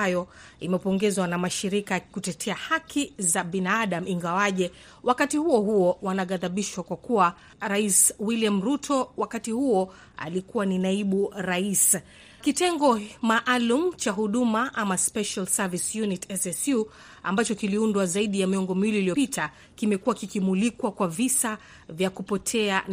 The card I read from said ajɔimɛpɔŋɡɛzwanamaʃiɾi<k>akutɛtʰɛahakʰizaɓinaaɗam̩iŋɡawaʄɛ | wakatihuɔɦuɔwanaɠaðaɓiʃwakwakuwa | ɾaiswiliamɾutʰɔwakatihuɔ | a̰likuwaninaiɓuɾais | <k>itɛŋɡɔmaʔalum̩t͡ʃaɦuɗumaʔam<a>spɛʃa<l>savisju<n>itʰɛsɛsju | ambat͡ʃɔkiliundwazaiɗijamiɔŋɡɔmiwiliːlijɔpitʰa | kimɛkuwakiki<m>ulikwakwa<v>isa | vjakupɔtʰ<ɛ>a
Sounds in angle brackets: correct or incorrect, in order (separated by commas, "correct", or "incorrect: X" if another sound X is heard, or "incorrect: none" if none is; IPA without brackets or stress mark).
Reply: correct, correct, correct, correct, correct, correct, correct, correct